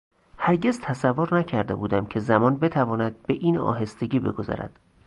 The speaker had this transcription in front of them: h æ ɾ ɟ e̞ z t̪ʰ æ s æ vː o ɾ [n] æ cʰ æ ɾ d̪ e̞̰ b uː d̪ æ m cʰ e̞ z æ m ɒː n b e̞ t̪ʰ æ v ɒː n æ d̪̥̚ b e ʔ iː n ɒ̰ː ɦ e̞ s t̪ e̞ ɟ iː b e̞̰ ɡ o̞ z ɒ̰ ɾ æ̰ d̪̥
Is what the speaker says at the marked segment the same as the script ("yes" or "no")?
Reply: yes